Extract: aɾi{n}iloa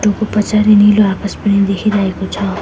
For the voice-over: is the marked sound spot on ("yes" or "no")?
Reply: yes